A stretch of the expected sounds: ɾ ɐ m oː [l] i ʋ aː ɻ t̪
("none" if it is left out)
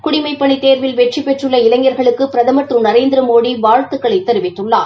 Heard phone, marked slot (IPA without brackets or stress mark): ɽ